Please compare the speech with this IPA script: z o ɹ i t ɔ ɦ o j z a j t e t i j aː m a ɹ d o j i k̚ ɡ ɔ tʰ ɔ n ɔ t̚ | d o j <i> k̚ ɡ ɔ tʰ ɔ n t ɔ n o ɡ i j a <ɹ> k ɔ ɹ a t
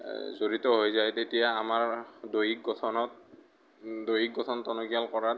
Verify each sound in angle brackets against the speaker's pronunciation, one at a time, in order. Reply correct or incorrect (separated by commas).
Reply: correct, incorrect